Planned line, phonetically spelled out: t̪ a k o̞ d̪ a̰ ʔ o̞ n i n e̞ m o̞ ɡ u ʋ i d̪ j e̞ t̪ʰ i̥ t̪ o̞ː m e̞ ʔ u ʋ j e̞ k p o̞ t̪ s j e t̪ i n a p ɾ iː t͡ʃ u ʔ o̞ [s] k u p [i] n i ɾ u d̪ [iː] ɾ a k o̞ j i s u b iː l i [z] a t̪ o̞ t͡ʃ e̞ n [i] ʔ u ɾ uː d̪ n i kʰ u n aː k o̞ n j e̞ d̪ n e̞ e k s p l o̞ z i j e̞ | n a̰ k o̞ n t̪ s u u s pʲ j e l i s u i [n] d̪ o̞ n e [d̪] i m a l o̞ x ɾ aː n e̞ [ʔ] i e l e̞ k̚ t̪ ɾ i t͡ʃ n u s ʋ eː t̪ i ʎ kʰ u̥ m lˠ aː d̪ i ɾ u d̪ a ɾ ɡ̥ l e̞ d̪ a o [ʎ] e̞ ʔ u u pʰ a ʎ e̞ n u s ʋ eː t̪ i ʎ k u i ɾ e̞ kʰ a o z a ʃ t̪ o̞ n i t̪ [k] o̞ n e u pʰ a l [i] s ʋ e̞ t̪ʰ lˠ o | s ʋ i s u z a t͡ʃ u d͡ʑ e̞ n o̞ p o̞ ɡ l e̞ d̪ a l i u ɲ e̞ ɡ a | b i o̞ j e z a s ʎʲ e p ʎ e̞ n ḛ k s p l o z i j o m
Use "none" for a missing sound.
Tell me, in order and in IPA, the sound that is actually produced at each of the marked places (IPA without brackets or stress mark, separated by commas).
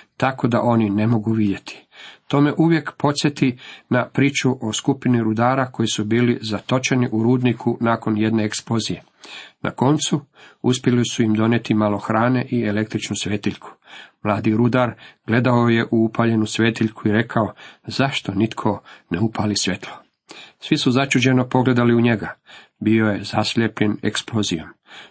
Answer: s, i, aː, z, i, m, t̪, ʔ, j, kʰ, i